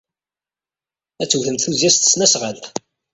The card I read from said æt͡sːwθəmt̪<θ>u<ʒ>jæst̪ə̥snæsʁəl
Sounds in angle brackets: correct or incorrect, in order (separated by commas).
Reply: correct, incorrect